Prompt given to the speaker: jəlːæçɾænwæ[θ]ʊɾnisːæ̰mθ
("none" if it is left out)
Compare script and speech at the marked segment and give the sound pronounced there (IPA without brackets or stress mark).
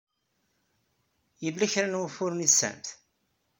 f